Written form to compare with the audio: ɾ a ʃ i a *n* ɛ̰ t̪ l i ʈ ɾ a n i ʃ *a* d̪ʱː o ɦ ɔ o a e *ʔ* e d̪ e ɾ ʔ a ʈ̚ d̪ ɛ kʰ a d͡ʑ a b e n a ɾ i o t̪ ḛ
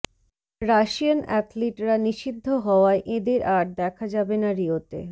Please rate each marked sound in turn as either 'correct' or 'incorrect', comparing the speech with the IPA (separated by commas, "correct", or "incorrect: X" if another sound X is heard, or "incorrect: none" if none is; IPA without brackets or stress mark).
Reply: correct, incorrect: i, correct